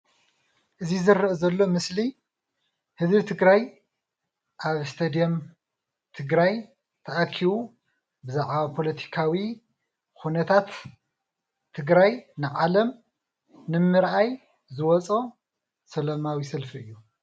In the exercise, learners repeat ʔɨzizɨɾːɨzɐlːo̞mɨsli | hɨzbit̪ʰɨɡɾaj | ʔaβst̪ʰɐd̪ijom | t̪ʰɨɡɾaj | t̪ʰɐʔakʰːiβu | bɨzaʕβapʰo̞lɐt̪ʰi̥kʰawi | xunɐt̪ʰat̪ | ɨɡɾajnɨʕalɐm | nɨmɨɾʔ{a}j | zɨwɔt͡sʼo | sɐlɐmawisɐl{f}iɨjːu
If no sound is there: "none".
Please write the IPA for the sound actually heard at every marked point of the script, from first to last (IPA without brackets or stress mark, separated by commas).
a, f